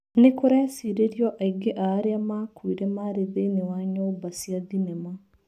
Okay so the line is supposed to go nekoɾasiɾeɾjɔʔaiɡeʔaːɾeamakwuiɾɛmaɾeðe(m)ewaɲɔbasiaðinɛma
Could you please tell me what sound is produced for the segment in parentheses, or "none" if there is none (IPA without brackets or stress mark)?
n